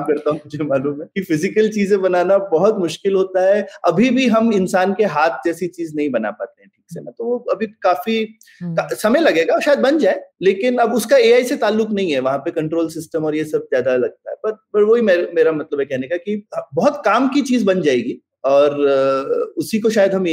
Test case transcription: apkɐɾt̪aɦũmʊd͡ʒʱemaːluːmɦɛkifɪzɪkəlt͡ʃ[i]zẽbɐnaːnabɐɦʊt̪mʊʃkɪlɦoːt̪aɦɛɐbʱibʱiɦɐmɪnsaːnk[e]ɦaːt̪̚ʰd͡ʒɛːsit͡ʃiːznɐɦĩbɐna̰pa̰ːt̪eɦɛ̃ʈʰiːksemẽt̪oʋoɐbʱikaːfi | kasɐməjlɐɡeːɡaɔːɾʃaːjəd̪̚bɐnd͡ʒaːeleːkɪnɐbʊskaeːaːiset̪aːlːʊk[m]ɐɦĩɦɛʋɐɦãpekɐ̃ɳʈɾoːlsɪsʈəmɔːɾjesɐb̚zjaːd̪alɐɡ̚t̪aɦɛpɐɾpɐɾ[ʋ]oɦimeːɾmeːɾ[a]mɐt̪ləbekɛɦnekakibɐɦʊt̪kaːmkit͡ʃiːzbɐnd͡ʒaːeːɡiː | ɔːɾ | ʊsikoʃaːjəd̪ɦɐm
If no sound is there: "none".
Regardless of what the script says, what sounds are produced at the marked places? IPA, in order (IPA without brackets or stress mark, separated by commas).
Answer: iː, e, n, ʋ, a